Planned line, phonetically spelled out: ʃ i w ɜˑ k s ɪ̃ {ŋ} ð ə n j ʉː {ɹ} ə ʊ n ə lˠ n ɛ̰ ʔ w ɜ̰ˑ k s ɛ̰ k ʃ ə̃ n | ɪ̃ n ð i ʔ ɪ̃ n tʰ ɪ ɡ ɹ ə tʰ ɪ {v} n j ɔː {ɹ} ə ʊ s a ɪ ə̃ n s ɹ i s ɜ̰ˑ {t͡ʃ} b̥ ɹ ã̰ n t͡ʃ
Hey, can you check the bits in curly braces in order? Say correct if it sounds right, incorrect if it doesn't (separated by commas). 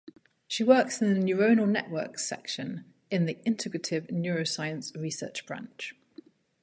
incorrect, correct, correct, correct, correct